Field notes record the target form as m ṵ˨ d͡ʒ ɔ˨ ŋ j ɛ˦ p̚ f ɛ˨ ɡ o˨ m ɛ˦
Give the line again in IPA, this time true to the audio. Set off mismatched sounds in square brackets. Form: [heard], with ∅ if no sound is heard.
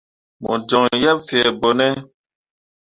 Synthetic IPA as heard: m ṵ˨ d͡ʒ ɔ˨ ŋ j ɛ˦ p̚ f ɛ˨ [b] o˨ [n] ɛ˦